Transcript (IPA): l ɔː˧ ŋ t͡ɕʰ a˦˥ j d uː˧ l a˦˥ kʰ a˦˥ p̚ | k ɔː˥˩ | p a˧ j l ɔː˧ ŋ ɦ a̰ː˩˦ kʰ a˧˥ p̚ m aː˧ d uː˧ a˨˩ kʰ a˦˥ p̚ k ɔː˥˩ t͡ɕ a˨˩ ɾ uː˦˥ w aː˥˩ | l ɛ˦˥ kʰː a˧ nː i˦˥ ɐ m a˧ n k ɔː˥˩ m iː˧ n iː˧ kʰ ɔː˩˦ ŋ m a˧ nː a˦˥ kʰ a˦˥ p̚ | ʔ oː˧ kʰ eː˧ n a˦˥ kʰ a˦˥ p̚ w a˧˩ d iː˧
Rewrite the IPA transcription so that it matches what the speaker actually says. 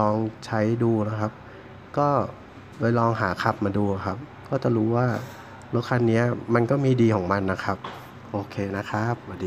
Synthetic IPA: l ɔː˧ ŋ t͡ɕʰ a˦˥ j d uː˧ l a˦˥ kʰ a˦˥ p̚ | k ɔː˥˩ | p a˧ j l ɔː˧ ŋ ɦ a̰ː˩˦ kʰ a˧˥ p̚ m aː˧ d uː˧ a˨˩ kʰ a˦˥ p̚ k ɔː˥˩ t͡ɕ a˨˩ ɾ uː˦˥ w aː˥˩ | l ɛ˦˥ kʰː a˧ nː i˦˥ ɐ m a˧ n k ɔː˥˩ m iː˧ d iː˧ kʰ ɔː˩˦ ŋ m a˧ nː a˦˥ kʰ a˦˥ p̚ | ʔ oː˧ kʰ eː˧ n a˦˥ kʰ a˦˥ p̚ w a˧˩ d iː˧